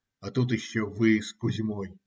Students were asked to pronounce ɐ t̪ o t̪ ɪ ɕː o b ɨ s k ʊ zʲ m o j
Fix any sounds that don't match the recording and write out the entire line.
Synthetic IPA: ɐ t̪ u t̪ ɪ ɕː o v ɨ s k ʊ zʲ m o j